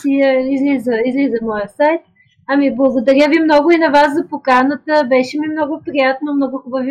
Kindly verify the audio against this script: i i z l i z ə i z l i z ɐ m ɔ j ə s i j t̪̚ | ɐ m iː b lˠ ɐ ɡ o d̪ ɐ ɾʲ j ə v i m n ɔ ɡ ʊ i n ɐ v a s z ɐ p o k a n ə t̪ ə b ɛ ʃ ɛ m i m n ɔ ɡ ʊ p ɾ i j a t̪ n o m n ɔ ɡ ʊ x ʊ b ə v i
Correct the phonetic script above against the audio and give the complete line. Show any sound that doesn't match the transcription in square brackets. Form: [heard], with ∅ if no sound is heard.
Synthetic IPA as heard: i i z l i z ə i z l i z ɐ m ɔ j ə s [a] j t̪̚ | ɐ m [i] b lˠ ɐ ɡ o d̪ ɐ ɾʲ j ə v i m n ɔ ɡ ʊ i n ɐ v a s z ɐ p o k a n ə t̪ ə b ɛ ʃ ɛ m i m n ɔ ɡ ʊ p ɾ i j a t̪ n o m n ɔ ɡ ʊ x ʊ b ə v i